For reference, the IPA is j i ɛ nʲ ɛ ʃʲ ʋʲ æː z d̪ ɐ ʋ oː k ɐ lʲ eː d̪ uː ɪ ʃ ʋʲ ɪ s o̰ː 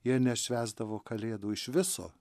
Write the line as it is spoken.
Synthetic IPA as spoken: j i ɛ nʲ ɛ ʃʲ ʋʲ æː z d̪ ɐ ʋ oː k ɐ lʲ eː d̪ uː ɪ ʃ ʋʲ ɪ s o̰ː